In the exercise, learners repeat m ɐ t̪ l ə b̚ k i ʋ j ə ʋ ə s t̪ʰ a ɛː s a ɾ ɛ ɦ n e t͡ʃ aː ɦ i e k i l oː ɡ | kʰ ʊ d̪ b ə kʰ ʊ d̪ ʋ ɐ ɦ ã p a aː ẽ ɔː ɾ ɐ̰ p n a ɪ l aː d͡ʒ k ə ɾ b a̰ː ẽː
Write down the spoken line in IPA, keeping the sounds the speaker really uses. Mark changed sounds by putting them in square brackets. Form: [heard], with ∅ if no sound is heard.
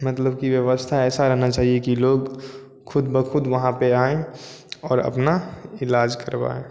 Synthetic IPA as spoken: m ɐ t̪ l ə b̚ k i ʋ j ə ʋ ə s t̪ʰ a ɛː s a ɾ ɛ ɦ n [a] t͡ʃ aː ɦ i e k i l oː ɡ | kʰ ʊ d̪ b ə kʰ ʊ d̪ ʋ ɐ ɦ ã p [e] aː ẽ ɔː ɾ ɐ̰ p n a ɪ l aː d͡ʒ k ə ɾ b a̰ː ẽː